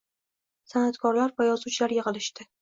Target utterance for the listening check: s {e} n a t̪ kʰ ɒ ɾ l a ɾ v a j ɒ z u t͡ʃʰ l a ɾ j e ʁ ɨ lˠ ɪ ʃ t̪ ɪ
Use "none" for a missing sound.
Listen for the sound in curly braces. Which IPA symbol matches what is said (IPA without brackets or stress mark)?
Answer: a